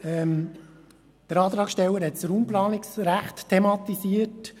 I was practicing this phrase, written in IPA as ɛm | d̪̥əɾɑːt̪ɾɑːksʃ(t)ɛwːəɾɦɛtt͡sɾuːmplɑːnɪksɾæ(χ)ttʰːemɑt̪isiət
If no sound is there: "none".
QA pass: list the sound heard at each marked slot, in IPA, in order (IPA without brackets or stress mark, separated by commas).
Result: t, χ